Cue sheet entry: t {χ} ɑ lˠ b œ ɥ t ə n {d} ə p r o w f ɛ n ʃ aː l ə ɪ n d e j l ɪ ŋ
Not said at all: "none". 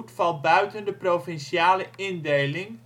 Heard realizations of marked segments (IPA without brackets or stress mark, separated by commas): f, d